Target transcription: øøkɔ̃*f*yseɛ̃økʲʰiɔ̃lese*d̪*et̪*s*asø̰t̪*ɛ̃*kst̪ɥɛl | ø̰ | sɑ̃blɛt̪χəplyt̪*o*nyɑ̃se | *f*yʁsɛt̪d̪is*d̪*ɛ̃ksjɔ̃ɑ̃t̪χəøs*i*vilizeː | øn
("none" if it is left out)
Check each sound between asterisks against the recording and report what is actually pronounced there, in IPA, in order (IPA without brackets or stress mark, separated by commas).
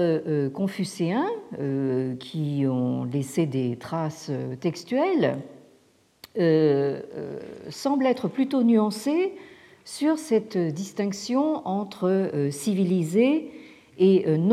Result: f, d̪, χ, ɛ, o, s, t̪, i